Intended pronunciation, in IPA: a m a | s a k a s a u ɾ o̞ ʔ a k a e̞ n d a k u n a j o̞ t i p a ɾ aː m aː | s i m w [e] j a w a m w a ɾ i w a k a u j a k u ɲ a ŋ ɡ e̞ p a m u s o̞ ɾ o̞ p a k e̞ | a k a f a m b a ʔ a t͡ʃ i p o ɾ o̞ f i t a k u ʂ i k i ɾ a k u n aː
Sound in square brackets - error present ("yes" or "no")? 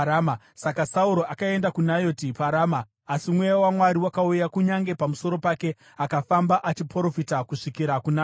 no